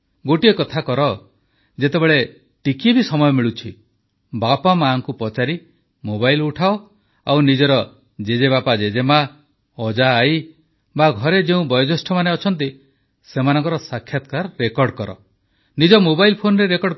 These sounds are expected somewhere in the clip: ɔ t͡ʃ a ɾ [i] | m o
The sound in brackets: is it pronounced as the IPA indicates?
yes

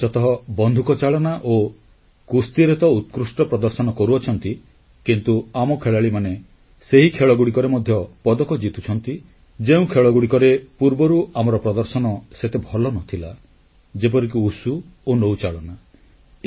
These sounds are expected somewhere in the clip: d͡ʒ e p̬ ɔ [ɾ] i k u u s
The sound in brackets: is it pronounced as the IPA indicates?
yes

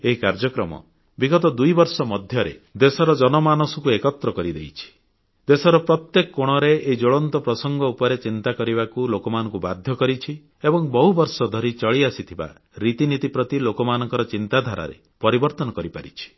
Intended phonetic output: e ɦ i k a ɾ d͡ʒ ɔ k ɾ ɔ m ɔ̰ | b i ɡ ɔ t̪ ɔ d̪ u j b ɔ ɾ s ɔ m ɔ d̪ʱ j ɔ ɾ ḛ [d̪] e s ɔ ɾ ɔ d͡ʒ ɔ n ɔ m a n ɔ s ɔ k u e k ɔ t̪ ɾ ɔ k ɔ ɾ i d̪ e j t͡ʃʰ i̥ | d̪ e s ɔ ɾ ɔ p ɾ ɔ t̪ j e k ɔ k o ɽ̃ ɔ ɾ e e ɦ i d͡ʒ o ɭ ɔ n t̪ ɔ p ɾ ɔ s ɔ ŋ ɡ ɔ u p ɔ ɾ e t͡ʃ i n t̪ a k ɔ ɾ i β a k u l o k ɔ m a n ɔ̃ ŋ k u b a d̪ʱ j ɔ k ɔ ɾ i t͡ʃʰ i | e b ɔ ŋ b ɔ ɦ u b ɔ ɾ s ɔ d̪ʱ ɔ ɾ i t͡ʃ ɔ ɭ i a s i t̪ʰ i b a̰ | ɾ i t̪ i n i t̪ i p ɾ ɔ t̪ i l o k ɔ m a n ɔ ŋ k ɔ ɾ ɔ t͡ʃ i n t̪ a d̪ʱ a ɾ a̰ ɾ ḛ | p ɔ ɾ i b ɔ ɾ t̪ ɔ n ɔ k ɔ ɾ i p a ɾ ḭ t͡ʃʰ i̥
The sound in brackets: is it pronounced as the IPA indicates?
yes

